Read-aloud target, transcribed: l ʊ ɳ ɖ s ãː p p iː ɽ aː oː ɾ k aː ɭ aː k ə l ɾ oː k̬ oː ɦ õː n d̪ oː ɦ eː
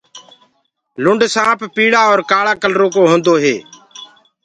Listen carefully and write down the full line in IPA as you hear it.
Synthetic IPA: l ʊ ɳ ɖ s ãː p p iː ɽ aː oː ɾ k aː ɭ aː k ə l ɾ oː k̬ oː ɦ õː n d̪ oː ɦ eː